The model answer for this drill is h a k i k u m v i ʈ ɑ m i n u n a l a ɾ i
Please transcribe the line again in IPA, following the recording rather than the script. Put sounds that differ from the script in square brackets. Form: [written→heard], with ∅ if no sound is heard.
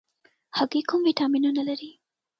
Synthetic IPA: h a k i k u m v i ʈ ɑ m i n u n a l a ɾ i